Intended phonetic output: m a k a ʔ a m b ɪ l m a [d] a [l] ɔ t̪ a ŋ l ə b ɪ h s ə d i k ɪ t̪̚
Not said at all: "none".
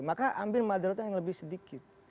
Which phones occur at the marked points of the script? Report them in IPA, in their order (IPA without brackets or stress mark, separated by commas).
d, ɾ